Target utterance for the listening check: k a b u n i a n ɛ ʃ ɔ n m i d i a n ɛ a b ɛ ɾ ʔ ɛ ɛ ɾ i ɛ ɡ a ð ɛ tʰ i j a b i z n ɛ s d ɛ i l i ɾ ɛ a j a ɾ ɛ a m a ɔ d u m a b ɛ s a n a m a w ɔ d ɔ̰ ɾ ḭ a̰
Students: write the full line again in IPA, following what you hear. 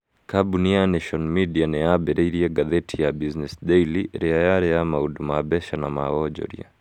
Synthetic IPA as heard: k a b u n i a n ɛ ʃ ɔ n m i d i a n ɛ a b ɛ ɾ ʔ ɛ i ɾ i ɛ ɡ a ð ɛ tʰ i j a b i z n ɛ s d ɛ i l i ɾ ɛ a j a ɾ ɛ a m a u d u m a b ɛ ʃ a n a m a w ɔ d͡ʒ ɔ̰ ɾ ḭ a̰